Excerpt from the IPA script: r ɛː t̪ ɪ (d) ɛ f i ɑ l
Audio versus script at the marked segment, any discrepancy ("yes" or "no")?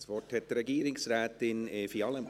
yes